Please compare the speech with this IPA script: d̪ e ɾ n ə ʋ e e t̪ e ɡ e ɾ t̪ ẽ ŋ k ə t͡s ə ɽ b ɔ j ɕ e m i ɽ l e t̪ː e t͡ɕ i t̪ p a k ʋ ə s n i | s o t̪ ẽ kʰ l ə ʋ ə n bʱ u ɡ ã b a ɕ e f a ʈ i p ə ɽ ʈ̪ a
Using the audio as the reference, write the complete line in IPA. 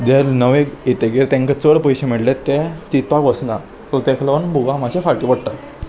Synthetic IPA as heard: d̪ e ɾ n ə ʋ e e t̪ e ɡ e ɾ t̪ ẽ ŋ k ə t͡s ə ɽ p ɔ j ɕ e m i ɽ l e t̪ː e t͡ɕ i t̪ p a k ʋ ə s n a | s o t̪ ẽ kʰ l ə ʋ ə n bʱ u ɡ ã m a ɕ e f a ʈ i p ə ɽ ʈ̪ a